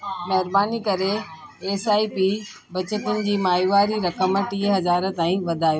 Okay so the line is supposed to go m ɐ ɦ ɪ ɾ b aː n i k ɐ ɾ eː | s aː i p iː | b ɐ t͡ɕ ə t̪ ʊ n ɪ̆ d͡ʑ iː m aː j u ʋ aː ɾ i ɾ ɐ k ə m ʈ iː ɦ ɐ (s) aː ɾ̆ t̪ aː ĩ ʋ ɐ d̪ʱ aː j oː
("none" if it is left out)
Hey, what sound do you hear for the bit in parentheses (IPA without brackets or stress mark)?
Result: z